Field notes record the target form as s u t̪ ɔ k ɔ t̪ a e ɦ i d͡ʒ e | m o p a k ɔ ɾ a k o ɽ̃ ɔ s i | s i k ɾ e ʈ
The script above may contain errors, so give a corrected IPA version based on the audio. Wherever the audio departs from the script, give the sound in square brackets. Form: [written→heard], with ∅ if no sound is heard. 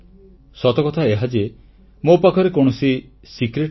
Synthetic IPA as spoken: s [u→ɔ] t̪ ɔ k ɔ [t̪→t̪ʰ] a e ɦ [i→a] d͡ʒ e | m o p a [k→kʰ] ɔ ɾ [a→e] k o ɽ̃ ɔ s i | s i k ɾ e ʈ